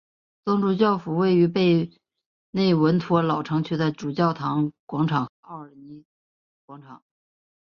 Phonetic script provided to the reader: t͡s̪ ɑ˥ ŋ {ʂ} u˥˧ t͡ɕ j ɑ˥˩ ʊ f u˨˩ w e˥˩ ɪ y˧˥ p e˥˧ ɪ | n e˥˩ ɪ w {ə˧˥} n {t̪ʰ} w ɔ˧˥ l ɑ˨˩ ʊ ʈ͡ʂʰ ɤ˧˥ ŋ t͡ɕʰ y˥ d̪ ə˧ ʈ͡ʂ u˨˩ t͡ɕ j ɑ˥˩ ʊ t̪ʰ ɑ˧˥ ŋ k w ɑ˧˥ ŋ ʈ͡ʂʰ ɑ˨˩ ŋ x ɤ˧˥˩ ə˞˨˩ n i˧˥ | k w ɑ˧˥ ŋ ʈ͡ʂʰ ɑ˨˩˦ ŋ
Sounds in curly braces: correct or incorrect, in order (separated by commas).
incorrect, correct, correct